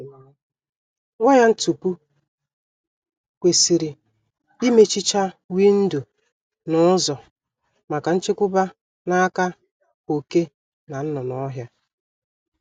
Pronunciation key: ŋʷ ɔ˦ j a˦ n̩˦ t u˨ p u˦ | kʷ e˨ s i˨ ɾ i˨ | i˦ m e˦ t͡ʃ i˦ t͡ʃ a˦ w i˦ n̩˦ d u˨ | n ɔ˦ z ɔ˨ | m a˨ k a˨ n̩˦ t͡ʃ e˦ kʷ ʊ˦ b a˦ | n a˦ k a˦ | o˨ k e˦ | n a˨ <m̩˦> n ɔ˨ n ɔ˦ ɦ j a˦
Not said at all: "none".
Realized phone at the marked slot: n̩˦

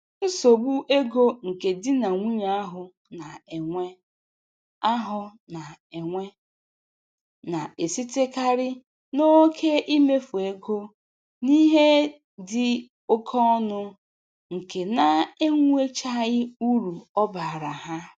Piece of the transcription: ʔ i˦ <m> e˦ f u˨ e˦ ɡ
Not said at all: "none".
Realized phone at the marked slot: m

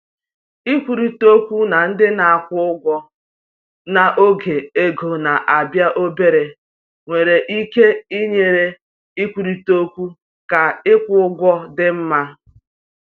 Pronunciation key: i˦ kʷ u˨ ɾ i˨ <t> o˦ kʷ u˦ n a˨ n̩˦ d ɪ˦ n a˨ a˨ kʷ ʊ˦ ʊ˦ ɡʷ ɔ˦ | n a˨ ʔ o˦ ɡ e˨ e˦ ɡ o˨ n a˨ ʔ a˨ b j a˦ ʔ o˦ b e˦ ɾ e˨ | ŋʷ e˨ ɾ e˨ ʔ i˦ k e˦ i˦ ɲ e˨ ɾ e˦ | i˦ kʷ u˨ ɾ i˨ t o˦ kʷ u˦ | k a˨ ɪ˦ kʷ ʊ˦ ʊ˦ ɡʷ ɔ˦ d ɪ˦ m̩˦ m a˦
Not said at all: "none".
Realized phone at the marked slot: t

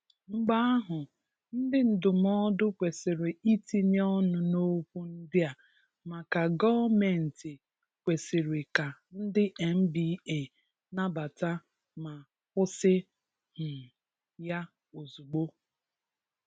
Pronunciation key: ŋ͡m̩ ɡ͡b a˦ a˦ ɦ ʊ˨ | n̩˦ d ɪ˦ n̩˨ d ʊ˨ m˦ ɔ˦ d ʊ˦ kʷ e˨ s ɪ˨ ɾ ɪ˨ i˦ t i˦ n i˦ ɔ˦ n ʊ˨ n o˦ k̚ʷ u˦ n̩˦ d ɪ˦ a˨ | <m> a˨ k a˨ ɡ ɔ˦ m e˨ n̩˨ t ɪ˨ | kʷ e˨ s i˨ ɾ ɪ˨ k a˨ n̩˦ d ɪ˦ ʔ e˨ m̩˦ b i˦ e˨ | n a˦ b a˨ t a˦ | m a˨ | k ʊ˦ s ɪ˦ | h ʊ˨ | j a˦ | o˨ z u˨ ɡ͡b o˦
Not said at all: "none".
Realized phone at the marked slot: m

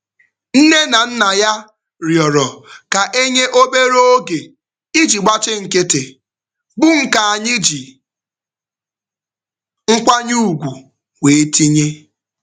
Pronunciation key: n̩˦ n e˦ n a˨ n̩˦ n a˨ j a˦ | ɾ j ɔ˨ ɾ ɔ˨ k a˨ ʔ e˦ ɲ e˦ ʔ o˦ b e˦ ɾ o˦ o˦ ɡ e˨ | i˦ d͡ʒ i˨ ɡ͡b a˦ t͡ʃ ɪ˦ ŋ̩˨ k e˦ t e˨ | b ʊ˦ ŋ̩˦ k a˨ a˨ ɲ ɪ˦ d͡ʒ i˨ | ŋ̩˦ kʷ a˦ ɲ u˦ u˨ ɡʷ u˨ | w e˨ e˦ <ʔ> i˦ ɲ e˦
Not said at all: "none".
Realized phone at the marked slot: t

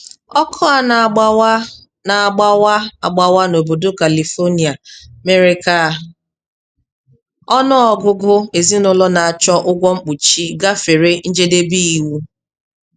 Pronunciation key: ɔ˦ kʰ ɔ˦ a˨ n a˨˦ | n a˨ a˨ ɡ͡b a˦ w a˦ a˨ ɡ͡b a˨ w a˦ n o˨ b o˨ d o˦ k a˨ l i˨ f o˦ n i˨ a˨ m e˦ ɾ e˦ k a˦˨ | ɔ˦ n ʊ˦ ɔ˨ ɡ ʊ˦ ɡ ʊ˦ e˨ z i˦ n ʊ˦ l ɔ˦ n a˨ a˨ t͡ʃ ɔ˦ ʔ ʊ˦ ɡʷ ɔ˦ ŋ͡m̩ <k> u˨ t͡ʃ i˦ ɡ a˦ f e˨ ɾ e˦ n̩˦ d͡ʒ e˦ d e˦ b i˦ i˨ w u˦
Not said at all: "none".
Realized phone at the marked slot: k͡p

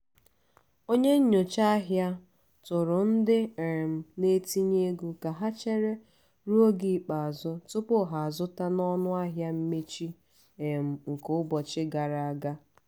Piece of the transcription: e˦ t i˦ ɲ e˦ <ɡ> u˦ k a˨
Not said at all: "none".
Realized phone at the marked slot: ɡ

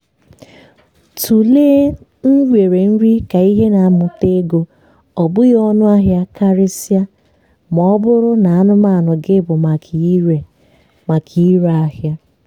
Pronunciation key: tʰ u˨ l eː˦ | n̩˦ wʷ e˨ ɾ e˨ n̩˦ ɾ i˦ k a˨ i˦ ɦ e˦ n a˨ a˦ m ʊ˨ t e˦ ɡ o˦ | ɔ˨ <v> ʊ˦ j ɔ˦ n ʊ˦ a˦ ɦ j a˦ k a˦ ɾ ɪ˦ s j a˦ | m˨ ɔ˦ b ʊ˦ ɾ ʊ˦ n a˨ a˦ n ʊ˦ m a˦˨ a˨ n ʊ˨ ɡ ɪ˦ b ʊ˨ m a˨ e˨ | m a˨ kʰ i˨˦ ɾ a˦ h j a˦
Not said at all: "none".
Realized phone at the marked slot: b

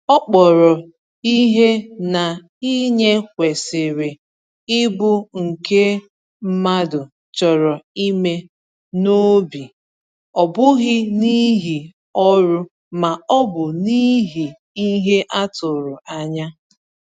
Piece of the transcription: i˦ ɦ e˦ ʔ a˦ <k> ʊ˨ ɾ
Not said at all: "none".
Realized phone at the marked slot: t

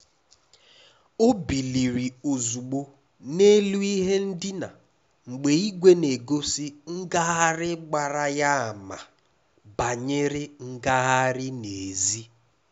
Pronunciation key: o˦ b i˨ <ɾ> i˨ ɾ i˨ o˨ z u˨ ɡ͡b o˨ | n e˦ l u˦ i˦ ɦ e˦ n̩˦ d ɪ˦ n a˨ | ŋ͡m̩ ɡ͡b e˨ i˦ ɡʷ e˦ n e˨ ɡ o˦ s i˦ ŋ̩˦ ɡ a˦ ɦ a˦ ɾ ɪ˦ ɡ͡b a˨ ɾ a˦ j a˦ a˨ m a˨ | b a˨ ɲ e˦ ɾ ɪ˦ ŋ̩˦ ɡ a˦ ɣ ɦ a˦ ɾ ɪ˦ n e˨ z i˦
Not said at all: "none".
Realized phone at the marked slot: l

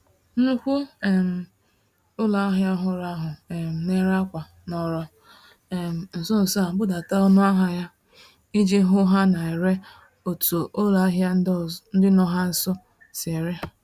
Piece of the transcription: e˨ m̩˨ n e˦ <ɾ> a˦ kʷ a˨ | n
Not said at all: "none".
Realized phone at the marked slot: ɾ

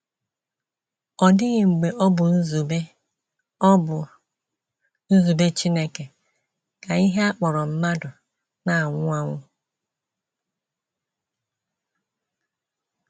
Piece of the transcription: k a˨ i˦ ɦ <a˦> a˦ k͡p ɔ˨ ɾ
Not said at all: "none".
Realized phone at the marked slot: e˦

